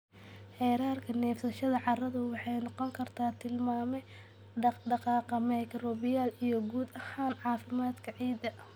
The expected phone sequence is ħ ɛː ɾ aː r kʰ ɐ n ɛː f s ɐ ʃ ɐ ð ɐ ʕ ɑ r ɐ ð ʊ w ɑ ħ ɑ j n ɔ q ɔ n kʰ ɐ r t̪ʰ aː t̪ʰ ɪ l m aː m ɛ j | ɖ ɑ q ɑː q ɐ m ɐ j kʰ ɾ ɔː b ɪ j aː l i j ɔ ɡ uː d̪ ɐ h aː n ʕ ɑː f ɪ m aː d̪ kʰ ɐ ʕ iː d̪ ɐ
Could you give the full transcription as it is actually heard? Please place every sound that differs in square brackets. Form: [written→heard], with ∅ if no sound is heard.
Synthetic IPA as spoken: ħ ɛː ɾ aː r kʰ ɐ n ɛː f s ɐ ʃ ɐ ð ɐ ʕ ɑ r ɐ ð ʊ w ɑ ħ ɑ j n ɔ q ɔ [n→ŋ] kʰ ɐ r t̪ʰ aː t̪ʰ ɪ l m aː m ɛ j | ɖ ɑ q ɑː q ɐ m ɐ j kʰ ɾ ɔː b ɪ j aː l i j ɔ ɡ uː d̪ ɐ h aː n ʕ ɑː f ɪ m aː d̪ kʰ ɐ ʕ iː d̪ ɐ